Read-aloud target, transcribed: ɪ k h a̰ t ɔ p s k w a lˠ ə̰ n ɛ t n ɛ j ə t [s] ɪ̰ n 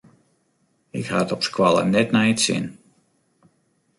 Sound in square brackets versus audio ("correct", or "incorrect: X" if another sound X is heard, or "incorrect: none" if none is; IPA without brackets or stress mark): correct